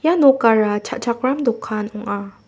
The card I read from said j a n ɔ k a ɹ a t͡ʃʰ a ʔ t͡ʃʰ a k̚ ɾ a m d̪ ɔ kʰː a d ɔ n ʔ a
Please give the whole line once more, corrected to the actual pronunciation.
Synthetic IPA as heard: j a n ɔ k a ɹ a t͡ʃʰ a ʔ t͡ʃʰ a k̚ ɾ a m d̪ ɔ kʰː a n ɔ ŋ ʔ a